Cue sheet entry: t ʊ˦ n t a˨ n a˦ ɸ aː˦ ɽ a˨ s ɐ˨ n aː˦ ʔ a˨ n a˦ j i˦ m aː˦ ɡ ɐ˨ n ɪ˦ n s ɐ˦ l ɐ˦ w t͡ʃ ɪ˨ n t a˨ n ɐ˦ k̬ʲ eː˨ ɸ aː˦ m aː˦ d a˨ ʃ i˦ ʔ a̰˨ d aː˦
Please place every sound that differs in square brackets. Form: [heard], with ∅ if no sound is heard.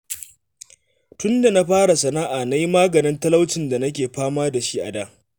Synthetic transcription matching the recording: t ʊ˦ n [d] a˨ n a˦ ɸ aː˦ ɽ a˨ s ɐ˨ n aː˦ ʔ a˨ n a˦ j i˦ m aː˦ ɡ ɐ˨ n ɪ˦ n [t] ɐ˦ l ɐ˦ w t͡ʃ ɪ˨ n [d] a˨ n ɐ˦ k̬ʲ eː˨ ɸ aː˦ m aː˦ d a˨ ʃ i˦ ʔ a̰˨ d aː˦